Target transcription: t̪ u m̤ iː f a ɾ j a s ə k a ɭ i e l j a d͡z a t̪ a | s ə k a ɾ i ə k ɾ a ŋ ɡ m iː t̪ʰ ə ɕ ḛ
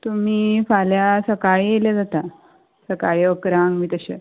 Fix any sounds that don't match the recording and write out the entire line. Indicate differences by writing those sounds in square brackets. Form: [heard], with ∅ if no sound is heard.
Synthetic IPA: t̪ u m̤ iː f a [l] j a s ə k a ɭ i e l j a d͡z a t̪ a | s ə k a [ɭ] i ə k ɾ a ŋ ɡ m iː [t̪] ə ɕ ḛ